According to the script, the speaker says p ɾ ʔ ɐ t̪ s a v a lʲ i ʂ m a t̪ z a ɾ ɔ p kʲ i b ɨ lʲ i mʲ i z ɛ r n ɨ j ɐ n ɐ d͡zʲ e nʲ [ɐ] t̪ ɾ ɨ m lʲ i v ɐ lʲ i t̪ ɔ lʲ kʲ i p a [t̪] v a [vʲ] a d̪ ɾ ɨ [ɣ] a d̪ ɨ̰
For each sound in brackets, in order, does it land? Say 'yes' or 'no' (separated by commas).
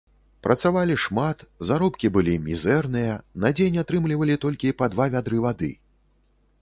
no, no, yes, no